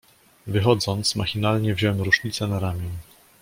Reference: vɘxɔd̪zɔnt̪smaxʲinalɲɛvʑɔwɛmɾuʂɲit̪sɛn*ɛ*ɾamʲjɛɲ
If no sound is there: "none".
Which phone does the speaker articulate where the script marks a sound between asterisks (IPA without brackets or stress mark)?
a